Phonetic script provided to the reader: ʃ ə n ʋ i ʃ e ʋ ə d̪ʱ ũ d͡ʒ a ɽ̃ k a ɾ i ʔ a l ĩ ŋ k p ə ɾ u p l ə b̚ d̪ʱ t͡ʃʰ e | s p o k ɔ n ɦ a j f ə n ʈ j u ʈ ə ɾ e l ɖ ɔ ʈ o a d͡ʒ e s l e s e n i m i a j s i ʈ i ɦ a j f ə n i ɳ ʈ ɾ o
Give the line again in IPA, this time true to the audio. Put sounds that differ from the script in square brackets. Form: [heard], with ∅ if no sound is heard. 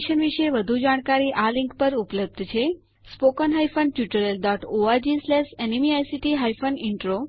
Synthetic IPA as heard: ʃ ə n ʋ i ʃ e ʋ ə d̪ʱ [u] d͡ʒ a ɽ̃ k a ɾ i ʔ a l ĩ ŋ k p ə ɾ u p l ə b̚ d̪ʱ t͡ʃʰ e | s p o k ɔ n ɦ a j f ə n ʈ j u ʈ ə ɾ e l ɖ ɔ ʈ o a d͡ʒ [i] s l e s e n i m i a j s i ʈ i ɦ a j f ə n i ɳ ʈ ɾ o